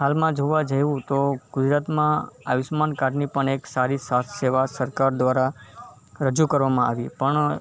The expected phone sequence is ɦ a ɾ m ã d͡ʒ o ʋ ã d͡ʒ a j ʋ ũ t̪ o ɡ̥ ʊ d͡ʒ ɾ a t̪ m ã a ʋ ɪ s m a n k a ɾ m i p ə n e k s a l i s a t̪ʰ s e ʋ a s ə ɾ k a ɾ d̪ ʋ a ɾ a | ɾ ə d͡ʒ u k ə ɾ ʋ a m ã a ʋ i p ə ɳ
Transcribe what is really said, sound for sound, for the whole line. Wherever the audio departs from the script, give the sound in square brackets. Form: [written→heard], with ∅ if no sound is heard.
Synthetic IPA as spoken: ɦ a [ɾ→l] m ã d͡ʒ o ʋ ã d͡ʒ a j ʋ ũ t̪ o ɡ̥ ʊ d͡ʒ ɾ a t̪ m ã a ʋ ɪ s m a n k a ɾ [m→n] i p ə [n→ɳ] e k s a [l→ɾ] i s a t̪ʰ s e ʋ a s ə ɾ k a ɾ d̪ ʋ a ɾ a | ɾ ə d͡ʒ u k ə ɾ ʋ a m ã a ʋ i p ə ɳ